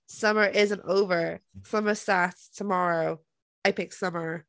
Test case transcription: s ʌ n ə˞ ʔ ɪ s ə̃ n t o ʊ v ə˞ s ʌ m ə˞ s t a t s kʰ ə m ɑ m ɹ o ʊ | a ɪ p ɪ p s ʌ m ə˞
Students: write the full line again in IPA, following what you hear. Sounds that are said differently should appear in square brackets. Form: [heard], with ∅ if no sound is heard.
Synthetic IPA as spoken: s ʌ [m] ə˞ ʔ ɪ [z] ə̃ n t o ʊ v ə˞ s ʌ m ə˞ s t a t s [tʰ] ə m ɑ [∅] ɹ o ʊ | a ɪ p ɪ [k] s ʌ m ə˞